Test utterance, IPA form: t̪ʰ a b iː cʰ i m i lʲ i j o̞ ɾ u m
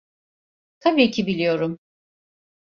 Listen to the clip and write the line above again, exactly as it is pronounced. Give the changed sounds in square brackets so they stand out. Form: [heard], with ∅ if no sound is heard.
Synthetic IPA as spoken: t̪ʰ a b iː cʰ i [b] i lʲ i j o̞ ɾ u m